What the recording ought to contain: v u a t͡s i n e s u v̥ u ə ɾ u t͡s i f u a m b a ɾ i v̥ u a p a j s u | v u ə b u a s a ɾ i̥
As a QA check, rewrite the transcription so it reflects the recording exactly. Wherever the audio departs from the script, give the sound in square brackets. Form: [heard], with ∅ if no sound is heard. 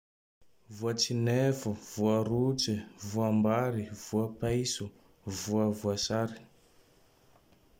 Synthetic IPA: v u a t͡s i n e [f] u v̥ u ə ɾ u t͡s i [v] u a m b a ɾ i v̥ u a p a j s u | v u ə [v] u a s a ɾ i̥